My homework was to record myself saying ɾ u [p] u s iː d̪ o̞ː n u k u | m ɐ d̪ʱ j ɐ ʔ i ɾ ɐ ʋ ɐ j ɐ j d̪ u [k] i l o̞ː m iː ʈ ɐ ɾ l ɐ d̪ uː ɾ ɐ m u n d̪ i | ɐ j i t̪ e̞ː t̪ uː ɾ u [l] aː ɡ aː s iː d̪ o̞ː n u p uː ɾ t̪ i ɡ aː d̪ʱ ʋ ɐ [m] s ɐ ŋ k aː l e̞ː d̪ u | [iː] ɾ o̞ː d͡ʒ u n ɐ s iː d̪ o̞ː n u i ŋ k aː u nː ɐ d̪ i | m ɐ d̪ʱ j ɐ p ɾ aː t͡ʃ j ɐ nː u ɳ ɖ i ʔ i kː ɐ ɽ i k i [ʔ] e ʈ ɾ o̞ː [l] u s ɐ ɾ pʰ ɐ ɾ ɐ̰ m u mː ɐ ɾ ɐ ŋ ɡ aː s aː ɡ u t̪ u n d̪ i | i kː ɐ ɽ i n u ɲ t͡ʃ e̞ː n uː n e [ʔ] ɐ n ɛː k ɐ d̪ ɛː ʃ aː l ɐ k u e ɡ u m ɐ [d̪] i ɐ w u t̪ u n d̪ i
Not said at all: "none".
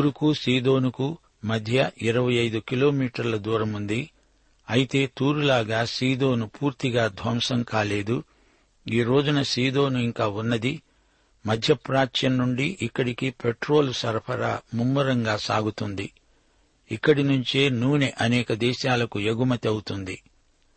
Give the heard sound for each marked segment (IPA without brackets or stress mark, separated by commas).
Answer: k, k, l, m, iː, p, l, ʔ, t̪